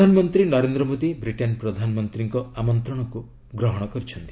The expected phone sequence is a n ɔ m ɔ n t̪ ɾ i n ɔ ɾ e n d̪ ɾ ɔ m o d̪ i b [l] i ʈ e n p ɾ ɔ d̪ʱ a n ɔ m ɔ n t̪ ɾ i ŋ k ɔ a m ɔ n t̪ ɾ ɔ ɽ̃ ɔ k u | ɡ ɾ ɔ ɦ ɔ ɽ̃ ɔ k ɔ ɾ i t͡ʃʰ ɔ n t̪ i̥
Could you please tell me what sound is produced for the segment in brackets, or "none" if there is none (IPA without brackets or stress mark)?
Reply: ɾ